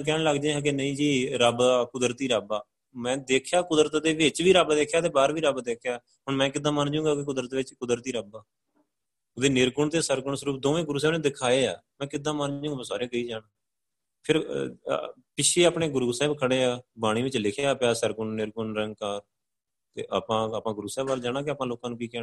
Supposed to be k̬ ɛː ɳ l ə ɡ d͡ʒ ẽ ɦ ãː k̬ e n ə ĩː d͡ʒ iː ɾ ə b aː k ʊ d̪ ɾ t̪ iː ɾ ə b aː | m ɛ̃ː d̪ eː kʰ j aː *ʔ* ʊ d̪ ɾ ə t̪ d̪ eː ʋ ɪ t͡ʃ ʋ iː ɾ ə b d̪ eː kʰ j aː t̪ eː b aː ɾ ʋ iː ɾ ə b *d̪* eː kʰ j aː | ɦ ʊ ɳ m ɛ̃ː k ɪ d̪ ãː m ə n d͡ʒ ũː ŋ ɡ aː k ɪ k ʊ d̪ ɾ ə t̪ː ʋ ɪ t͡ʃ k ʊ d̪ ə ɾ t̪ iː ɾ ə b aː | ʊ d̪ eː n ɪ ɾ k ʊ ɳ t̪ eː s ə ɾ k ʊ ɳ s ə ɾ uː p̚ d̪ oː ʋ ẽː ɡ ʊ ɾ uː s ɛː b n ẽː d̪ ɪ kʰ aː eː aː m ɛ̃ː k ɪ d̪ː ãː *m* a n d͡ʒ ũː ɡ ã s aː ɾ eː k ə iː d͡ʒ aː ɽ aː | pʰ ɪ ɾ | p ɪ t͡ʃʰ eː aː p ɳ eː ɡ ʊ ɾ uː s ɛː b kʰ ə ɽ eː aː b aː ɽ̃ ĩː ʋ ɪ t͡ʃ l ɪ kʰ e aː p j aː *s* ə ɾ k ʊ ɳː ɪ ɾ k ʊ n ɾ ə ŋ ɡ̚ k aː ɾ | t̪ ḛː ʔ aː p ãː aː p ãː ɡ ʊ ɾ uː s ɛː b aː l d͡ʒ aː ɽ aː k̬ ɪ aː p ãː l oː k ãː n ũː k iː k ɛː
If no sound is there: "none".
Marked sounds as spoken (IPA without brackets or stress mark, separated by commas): k, d̪, m, s